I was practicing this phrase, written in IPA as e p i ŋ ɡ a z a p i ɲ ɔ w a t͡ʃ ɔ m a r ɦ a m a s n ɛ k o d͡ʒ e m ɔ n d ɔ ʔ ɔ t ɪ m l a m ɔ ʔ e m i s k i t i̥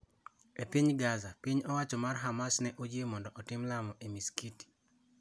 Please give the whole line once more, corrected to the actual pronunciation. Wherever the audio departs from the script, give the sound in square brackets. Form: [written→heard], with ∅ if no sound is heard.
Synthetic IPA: e p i [ŋ→ɲ] ɡ a z a p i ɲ ɔ w a t͡ʃ ɔ m a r ɦ a m a s n ɛ [k→ʔ] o d͡ʒ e m ɔ n d ɔ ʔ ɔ t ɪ m l a m ɔ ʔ e m i s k i t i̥